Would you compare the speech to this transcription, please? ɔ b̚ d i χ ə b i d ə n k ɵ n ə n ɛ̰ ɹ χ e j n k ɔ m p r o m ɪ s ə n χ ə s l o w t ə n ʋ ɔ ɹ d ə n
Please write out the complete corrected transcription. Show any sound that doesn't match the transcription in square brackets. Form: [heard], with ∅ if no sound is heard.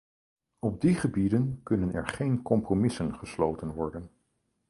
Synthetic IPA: ɔ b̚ d i χ ə b i d ə n k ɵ n ə n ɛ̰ ɹ χ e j n k ɔ m p r o m ɪ s ə n χ ə s l o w t ə n ʋ ɔ ɹ d ə n